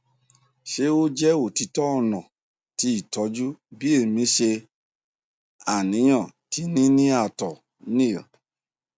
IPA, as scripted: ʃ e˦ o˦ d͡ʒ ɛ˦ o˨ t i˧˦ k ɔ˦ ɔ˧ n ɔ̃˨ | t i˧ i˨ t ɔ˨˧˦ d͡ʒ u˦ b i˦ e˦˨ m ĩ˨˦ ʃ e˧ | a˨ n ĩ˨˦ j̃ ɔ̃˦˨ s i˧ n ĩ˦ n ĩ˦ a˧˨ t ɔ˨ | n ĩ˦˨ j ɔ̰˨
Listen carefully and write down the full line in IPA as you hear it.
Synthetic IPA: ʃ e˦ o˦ d͡ʒ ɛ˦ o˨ t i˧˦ t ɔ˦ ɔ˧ n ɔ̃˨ | t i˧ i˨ t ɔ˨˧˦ d͡ʒ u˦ b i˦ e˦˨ m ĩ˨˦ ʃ e˧ | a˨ n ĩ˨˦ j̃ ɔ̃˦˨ t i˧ n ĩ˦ n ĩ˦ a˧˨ t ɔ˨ | n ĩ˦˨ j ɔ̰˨